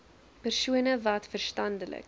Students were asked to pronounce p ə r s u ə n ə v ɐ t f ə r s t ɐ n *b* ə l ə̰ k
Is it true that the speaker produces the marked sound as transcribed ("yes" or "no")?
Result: no